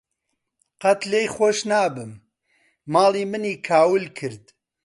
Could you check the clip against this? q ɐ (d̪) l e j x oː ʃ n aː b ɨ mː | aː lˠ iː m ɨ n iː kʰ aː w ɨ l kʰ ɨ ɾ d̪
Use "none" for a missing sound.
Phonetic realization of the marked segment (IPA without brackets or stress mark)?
t̪